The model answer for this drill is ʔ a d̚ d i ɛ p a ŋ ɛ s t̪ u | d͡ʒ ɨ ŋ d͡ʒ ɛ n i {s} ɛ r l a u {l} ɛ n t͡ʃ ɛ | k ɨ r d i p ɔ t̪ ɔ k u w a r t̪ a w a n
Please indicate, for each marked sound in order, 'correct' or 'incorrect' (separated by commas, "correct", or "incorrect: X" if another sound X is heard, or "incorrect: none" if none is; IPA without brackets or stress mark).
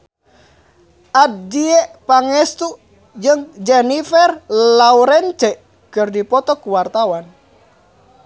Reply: incorrect: f, incorrect: ɾ